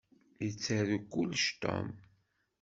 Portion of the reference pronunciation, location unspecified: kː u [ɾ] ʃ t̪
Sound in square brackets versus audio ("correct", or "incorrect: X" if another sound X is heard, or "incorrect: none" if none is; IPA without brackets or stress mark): incorrect: l